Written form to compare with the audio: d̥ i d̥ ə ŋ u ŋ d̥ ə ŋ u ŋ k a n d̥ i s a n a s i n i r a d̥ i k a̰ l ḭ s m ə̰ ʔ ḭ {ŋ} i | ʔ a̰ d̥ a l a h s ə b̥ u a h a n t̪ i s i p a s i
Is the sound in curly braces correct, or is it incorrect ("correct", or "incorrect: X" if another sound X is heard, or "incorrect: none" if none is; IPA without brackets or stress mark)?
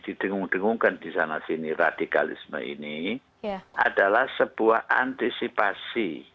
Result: incorrect: n